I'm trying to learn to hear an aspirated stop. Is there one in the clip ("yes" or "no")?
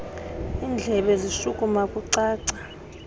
no